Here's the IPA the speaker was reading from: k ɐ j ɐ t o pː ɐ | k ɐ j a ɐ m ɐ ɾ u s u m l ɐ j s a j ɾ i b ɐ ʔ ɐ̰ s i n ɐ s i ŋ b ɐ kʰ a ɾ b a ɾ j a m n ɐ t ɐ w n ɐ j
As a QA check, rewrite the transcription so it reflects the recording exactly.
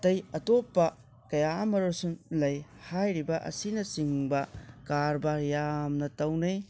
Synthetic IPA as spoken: t ɐ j ɐ t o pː ɐ | k ɐ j a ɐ m ɐ ɾ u s u n l ɐ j h a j ɾ i b ɐ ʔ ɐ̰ s i n ɐ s i ŋ b ɐ k a ɾ b a ɾ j a m n ɐ t ɐ w n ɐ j